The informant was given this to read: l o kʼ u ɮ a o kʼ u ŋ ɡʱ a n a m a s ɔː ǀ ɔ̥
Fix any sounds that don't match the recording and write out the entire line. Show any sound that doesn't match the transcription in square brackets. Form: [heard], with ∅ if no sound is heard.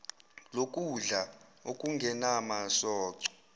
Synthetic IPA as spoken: l o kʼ u ɮ a o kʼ u ŋ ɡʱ [ɛ] n a m a s ɔː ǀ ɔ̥